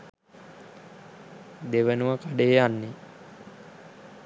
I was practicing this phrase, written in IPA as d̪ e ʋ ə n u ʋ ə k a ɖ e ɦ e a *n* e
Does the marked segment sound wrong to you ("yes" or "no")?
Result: yes